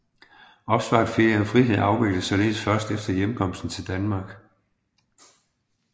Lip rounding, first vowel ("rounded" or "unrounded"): rounded